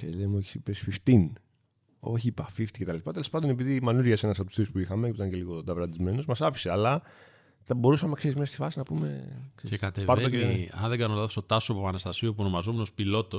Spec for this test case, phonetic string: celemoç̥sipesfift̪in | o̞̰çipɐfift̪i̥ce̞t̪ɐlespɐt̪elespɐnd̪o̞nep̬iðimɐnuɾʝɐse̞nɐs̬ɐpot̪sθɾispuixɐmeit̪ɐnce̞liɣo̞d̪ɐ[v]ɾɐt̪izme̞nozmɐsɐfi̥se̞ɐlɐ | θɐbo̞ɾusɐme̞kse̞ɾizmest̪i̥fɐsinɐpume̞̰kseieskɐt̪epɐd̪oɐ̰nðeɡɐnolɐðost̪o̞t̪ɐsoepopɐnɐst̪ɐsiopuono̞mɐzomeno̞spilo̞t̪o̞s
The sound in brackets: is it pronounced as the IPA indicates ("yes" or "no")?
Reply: yes